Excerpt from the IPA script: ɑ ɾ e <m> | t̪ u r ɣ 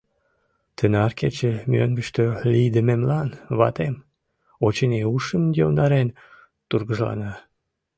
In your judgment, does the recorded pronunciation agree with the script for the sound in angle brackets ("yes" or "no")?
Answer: no